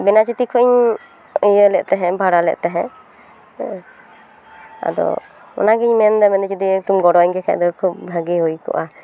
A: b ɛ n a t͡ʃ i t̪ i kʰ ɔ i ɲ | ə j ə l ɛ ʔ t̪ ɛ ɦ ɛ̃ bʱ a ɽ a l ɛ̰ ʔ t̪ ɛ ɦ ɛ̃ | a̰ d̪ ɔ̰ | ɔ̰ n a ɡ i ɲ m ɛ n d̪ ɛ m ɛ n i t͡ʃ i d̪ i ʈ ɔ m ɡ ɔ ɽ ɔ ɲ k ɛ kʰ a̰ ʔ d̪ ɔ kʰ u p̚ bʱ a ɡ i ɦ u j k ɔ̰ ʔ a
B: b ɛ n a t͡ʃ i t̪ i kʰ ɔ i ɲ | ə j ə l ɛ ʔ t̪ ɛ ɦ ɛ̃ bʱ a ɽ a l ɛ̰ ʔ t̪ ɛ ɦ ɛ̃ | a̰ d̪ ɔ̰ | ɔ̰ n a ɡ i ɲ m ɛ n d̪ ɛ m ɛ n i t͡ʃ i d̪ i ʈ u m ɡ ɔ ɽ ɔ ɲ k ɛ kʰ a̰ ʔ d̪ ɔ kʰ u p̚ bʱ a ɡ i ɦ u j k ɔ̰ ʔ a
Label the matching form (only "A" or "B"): B